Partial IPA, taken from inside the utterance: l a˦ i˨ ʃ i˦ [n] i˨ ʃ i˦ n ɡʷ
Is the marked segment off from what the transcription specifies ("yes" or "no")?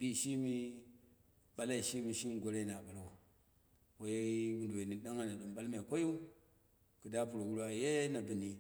yes